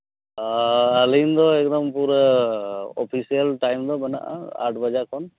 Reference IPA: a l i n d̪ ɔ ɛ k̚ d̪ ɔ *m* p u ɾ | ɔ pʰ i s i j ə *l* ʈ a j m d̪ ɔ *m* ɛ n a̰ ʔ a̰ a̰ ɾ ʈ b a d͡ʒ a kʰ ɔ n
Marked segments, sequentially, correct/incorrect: correct, correct, incorrect

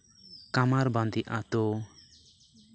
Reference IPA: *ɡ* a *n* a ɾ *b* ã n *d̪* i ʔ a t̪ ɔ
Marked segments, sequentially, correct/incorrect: incorrect, incorrect, correct, correct

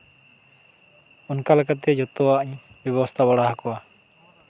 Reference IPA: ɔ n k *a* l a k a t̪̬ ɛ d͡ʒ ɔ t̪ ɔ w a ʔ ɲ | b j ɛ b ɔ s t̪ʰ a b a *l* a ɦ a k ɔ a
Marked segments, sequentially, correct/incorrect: correct, incorrect

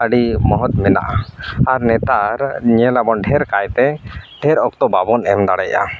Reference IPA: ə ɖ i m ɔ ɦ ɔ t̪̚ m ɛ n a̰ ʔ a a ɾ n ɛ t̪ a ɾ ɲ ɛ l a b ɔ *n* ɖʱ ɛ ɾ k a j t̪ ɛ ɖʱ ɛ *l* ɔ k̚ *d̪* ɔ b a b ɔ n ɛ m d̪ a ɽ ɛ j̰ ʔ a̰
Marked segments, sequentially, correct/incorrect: correct, incorrect, incorrect

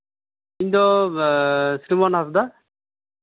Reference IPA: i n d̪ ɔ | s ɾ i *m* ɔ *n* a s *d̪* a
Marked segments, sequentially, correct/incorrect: correct, correct, correct

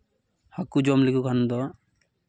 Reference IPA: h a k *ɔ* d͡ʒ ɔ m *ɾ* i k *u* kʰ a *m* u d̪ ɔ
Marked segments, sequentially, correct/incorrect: incorrect, incorrect, correct, incorrect

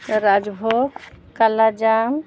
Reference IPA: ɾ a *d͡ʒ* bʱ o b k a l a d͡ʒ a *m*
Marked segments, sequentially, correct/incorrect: correct, correct

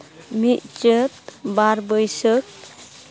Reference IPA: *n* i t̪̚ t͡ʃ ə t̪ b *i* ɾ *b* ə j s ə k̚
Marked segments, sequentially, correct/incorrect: incorrect, incorrect, correct

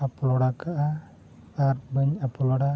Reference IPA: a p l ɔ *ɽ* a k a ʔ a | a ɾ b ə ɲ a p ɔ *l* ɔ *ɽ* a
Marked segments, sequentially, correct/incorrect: correct, correct, correct

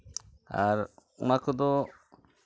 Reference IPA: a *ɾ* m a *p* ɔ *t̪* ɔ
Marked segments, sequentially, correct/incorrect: correct, incorrect, incorrect

